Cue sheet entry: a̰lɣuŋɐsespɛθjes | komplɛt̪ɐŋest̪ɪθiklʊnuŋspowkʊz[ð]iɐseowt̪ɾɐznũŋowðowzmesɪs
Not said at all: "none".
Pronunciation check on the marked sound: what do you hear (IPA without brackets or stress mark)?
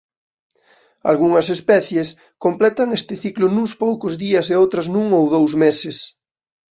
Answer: ð